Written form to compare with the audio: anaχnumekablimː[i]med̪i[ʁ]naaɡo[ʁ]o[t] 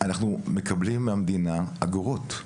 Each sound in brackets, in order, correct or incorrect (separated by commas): incorrect, incorrect, correct, correct